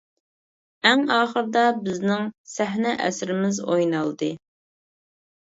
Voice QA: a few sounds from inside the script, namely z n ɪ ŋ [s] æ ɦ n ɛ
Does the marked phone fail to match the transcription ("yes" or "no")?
no